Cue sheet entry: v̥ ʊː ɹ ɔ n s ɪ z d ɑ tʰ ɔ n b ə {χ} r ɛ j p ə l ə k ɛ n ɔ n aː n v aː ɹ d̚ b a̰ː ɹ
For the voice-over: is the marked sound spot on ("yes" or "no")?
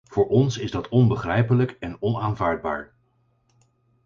yes